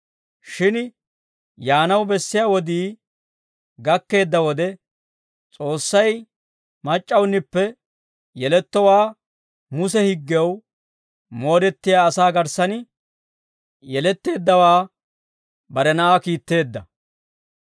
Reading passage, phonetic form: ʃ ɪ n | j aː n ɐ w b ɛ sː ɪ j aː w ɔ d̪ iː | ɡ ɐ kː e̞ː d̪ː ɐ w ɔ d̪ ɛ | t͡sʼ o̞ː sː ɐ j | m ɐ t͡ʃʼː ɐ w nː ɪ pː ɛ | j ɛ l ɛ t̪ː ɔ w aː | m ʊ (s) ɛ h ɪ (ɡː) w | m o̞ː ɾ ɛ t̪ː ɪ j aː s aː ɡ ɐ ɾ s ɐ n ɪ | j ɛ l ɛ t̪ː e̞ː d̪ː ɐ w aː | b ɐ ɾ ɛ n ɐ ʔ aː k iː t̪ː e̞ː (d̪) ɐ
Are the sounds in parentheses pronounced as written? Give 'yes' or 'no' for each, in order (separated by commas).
yes, yes, no